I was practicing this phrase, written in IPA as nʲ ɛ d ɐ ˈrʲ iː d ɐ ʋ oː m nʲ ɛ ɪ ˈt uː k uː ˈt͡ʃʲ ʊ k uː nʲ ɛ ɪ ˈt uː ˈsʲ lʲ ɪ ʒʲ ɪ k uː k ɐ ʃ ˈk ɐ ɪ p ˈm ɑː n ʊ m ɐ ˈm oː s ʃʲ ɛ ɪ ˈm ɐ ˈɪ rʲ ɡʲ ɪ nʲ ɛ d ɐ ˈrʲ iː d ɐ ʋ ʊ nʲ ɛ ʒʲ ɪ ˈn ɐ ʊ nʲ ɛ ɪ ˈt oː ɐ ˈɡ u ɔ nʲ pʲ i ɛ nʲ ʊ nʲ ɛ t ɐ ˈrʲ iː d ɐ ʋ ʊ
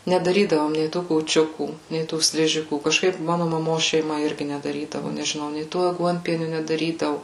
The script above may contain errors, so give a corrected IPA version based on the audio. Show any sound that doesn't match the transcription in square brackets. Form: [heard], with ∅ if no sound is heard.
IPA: nʲ ɛ d ɐ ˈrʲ iː d ɐ ʋ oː m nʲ ɛ ɪ ˈt uː k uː ˈt͡ʃʲ ʊ k uː nʲ ɛ ɪ ˈt uː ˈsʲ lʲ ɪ ʒʲ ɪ k uː k ɐ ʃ ˈk ɐ ɪ p ˈm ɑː n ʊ m ɐ ˈm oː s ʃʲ ɛ ɪ ˈm ɐ ˈɪ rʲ ɡʲ ɪ nʲ ɛ d ɐ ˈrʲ iː d ɐ ʋ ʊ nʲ ɛ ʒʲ ɪ ˈn ɐ ʊ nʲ ɛ ɪ ˈt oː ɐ ˈɡ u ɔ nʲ pʲ i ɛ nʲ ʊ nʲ ɛ [d] ɐ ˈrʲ iː d ɐ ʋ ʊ